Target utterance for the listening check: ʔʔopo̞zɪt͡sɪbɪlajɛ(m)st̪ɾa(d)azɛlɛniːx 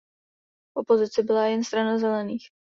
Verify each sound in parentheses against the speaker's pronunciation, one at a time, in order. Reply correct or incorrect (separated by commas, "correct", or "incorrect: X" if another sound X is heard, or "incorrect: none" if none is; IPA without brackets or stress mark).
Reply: incorrect: n, incorrect: n